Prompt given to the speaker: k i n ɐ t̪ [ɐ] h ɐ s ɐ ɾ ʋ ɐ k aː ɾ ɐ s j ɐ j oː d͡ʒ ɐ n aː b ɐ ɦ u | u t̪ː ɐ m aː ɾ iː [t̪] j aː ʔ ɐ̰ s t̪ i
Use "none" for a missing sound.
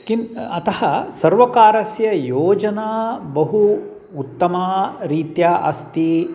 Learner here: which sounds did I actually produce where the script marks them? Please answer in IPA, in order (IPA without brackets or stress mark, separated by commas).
ɐ, t̪